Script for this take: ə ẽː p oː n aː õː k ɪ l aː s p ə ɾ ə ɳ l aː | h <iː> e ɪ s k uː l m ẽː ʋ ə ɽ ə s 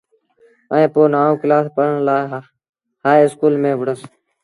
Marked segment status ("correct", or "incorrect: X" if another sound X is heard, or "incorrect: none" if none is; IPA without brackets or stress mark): incorrect: aː